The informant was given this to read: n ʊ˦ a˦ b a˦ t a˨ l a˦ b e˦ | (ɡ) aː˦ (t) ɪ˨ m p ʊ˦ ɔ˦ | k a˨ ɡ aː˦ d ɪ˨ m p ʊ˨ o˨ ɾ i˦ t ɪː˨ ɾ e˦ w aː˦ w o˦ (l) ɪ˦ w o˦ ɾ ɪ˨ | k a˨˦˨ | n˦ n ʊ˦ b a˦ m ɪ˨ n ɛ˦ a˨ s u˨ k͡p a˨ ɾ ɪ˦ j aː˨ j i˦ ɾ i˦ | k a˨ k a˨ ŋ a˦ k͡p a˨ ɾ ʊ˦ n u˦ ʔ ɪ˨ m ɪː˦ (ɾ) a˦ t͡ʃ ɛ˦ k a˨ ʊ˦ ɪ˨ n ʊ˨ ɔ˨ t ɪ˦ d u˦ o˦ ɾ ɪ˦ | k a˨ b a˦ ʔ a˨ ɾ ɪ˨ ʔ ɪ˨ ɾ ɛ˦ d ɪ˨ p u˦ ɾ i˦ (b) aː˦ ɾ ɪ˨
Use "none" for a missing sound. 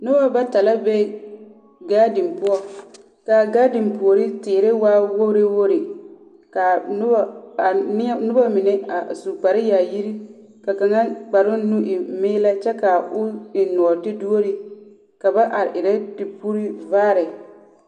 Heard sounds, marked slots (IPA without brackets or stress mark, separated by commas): ɡ, d, ɾ, l, v